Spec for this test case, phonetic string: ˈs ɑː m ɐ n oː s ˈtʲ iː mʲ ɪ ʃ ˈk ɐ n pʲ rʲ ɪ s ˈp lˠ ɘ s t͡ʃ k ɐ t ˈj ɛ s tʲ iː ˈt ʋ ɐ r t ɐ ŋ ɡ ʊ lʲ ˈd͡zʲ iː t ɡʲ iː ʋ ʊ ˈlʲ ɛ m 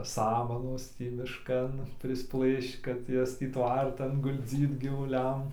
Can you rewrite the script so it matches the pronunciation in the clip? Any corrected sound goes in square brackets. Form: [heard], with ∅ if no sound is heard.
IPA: ˈs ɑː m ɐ n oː s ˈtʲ iː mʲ ɪ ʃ ˈk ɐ n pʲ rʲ ɪ s ˈp lˠ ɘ [ʃ] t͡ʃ k ɐ t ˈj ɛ s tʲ iː ˈt ʋ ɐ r t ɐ [n] ɡ ʊ lʲ ˈd͡zʲ iː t ɡʲ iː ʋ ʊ ˈlʲ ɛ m